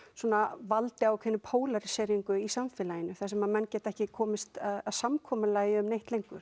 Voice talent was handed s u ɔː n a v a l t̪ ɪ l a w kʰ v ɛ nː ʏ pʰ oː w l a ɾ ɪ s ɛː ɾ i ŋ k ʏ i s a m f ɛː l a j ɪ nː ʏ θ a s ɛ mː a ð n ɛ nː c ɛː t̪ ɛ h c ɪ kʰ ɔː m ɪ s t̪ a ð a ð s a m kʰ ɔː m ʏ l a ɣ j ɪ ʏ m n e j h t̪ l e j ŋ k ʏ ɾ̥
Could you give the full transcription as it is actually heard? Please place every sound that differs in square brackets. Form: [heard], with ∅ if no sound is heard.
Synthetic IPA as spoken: s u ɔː n a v a l t̪ ɪ [∅] a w kʰ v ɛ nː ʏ pʰ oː w l a ɾ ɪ s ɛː ɾ i ŋ k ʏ i s a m f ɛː l a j ɪ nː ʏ θ a s ɛ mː a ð [m] ɛ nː c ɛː t̪ ɛ h c ɪ kʰ ɔː m ɪ s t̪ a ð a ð s a m kʰ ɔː m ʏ l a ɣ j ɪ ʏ m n e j h t̪ l e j ŋ k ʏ ɾ̥